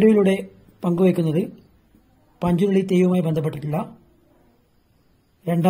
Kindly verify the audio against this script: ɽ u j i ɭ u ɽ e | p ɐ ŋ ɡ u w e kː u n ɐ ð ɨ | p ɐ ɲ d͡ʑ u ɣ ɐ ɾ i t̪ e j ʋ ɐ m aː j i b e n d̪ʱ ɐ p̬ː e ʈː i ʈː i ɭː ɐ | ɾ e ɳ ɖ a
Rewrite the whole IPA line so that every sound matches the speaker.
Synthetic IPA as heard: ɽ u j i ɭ u ɽ e | p ɐ ŋ ɡ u ʋ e kː u nː ɐ ð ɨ | p ɐ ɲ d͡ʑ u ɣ ɐ ɭ i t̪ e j ʋ ɐ m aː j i b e n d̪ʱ ɐ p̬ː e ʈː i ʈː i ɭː ɐ | ɾ e ɳ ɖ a